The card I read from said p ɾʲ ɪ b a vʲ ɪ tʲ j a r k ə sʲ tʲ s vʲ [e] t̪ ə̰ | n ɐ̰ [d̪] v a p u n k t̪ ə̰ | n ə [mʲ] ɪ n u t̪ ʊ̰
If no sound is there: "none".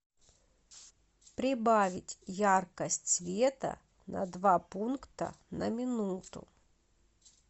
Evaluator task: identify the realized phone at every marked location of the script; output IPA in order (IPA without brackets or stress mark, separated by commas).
e, d̪, mʲ